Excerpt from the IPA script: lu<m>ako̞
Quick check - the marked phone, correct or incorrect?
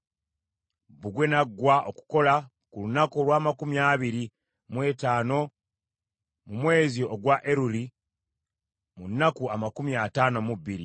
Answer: incorrect